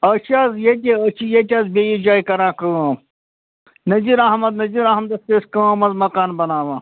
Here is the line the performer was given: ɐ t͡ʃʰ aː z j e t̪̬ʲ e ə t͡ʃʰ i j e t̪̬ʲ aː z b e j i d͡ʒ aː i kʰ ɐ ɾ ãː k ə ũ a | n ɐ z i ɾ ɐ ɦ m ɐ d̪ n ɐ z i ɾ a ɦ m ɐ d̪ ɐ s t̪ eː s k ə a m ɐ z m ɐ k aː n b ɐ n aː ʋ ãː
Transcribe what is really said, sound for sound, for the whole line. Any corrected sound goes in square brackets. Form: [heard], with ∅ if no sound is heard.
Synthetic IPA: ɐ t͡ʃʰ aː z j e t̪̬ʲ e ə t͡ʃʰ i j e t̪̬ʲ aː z b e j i d͡ʒ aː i [k] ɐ ɾ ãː k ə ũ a | n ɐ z i ɾ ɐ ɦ m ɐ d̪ n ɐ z i ɾ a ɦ m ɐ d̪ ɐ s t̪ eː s k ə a m ɐ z m ɐ k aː n b ɐ n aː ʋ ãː

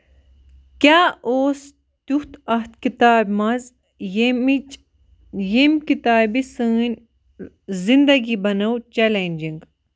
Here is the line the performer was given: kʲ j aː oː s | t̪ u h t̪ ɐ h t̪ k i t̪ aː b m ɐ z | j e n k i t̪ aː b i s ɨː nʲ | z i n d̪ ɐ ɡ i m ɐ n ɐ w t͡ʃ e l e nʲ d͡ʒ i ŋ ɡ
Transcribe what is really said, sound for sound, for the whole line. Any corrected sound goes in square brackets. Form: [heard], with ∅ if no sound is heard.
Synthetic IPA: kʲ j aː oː s | t̪ u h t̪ ɐ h t̪ k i t̪ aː b m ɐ z | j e [m] k i t̪ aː b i s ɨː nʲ | z i n d̪ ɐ ɡ i [b] ɐ n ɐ w t͡ʃ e l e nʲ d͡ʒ i ŋ ɡ

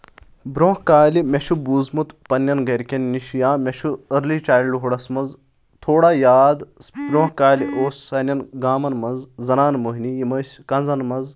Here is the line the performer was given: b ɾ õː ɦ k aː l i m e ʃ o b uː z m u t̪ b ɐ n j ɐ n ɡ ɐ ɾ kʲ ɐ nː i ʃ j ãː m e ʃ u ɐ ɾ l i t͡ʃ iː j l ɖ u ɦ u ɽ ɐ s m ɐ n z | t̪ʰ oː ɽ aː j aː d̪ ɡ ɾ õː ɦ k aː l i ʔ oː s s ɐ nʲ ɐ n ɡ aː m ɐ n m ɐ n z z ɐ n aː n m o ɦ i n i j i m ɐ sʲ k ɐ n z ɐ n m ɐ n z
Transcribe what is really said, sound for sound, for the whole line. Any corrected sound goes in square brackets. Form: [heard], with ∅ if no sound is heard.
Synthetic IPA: b ɾ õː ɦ k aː l i m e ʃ [u] b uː z m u t̪ [p] ɐ n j ɐ n ɡ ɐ ɾ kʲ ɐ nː i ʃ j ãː m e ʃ u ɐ ɾ l i t͡ʃ [aː] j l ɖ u ɦ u ɽ ɐ s m ɐ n z | t̪ʰ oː ɽ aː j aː d̪ [b] ɾ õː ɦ k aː l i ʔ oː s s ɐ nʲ ɐ n ɡ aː m ɐ n m ɐ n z z ɐ n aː n m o ɦ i n i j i m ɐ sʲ k ɐ n z ɐ n m ɐ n z

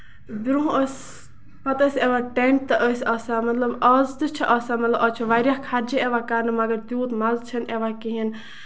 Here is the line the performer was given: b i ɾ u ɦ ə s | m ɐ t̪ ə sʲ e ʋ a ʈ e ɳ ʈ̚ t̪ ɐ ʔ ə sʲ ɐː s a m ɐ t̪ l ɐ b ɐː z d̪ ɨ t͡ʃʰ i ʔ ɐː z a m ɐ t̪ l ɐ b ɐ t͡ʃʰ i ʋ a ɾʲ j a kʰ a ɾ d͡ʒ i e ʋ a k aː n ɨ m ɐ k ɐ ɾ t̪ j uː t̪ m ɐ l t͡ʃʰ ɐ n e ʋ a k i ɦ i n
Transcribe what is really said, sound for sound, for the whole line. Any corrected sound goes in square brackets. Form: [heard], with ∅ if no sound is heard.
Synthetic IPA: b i ɾ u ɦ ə s | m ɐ t̪ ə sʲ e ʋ a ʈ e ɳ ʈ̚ t̪ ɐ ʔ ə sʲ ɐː s a m ɐ t̪ l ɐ b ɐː z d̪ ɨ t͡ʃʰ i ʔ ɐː [s] a m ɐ t̪ l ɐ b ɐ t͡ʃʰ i ʋ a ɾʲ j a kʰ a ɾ d͡ʒ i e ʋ a k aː n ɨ m ɐ [ɡ] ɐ ɾ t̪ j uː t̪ m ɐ l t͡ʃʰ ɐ n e ʋ a k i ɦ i n

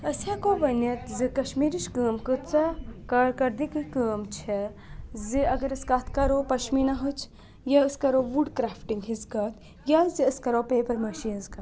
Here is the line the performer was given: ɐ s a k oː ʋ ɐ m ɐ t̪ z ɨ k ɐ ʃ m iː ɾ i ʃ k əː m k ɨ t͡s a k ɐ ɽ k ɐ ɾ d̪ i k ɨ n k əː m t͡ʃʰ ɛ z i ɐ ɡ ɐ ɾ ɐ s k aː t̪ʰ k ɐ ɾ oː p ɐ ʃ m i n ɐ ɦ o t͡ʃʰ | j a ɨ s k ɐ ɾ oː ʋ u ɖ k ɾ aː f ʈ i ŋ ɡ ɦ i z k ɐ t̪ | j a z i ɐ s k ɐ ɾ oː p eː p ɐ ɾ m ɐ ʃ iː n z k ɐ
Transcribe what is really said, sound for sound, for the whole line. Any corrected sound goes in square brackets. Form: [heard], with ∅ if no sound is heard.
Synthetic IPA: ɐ s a k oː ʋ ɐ [n] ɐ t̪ z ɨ k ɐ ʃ m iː ɾ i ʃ k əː m k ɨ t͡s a k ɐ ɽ k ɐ ɾ d̪ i k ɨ [∅] k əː m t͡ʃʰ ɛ z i ɐ ɡ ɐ ɾ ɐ s k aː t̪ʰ k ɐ ɾ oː p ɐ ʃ m i n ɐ ɦ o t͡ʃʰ | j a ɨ s k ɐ ɾ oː ʋ u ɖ k ɾ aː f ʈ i ŋ ɡ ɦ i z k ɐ t̪ | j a z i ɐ s k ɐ ɾ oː p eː p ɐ ɾ m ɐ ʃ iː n z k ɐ

